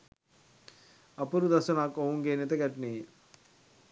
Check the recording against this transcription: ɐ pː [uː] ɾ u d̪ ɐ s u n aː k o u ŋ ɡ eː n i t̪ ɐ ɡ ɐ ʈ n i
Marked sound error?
yes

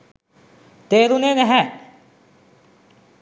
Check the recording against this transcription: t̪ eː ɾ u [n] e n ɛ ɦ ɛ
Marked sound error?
no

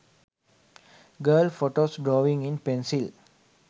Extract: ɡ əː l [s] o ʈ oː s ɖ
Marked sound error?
yes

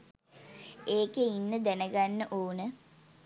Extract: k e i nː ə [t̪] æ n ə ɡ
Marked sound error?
yes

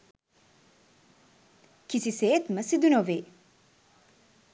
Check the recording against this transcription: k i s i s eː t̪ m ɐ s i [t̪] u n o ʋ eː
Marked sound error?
yes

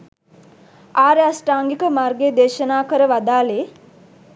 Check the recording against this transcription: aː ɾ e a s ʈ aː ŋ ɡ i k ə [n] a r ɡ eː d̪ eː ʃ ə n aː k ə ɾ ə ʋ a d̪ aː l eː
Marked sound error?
yes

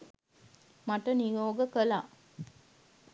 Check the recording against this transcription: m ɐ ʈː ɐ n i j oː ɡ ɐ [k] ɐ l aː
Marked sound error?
no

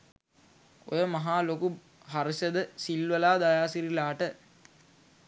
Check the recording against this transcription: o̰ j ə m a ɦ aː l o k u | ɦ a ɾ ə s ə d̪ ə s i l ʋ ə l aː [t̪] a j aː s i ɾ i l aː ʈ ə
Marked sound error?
yes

